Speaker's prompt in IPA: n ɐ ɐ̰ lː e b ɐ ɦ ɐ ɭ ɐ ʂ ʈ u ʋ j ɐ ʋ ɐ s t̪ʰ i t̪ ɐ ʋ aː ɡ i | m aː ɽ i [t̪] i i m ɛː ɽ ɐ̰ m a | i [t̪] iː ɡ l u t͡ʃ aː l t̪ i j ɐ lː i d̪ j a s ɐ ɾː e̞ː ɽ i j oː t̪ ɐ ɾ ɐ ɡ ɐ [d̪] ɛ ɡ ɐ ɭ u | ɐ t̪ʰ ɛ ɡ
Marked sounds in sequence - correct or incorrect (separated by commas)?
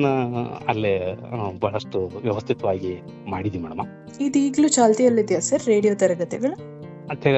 incorrect, incorrect, incorrect